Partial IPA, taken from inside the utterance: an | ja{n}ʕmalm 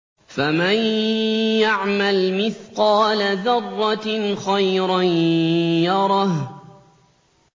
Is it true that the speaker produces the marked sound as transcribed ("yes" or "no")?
no